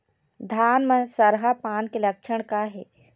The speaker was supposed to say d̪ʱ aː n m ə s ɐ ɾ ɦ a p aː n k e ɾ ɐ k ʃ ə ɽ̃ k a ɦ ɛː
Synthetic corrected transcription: d̪ʱ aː n m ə s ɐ ɾ ɦ a p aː n k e l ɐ k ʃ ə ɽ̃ k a ɦ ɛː